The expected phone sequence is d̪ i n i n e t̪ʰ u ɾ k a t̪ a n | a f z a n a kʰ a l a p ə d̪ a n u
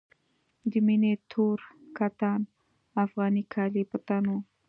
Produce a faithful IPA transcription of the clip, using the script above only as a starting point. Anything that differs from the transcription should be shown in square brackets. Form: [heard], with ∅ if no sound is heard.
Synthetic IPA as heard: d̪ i [m] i n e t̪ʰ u ɾ k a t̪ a n | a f [ɣ] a n [i] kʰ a l [i] p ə [t̪] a n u